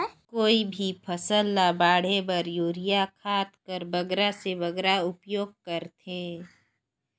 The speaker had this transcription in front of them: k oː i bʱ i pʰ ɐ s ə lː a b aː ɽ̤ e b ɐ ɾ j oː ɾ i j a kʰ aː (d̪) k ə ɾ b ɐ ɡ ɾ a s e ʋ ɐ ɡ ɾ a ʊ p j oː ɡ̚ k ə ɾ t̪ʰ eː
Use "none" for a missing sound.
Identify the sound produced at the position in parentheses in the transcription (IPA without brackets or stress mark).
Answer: t̪